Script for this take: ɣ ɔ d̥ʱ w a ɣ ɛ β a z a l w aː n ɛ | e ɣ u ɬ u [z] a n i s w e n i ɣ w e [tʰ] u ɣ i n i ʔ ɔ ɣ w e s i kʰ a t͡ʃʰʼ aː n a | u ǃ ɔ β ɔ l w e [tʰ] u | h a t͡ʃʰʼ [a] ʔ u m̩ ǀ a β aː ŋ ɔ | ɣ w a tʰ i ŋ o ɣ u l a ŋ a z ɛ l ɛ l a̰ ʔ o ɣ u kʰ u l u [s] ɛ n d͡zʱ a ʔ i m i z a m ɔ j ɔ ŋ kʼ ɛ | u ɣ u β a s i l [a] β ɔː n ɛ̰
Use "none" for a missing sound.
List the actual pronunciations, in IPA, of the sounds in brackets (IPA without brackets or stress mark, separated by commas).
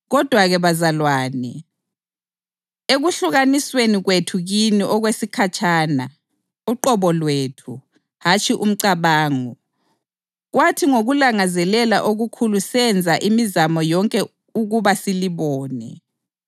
ɣ, tʰ, tʰ, i, s, i